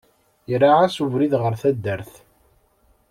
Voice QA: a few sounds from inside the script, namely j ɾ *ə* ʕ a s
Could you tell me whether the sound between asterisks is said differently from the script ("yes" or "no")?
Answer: yes